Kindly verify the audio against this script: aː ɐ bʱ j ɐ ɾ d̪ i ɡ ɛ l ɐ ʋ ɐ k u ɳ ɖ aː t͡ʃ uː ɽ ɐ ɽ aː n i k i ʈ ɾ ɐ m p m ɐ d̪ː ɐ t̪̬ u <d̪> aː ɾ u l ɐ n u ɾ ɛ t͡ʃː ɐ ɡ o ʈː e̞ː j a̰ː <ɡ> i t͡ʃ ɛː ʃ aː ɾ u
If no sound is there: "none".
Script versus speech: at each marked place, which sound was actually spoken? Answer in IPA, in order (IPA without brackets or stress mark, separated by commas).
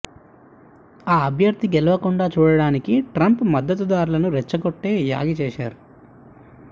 d̪, ɡ